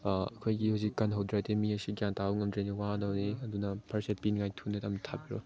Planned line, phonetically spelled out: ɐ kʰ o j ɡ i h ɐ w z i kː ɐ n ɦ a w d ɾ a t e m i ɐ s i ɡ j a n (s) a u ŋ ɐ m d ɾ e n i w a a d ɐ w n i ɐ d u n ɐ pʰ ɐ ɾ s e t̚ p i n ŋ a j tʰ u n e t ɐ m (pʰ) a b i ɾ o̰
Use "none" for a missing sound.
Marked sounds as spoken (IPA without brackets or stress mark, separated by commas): t, tʰ